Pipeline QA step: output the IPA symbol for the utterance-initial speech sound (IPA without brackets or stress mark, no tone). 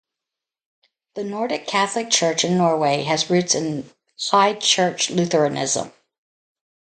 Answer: ð